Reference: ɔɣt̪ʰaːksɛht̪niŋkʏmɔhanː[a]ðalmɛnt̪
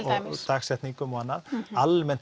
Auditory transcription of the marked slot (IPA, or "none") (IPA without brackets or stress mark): a